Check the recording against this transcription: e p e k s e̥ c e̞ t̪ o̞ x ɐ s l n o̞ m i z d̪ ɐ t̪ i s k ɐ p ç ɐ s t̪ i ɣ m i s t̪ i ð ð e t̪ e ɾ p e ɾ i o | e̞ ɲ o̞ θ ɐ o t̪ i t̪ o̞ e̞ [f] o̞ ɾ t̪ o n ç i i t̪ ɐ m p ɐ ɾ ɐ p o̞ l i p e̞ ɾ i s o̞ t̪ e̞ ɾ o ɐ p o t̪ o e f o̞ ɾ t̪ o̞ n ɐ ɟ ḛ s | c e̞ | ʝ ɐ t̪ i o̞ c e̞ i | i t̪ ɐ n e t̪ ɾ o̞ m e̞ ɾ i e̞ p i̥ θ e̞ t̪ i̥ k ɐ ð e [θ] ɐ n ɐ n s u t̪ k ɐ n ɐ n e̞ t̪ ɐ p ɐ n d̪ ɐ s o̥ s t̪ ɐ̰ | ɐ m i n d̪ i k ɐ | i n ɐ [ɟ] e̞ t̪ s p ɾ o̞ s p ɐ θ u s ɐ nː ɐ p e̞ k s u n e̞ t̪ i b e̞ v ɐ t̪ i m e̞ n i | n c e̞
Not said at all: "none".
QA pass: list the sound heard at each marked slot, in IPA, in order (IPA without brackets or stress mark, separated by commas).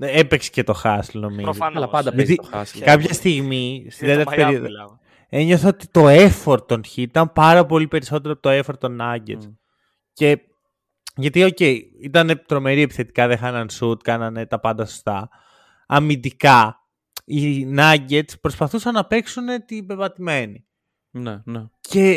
f, x, ɟ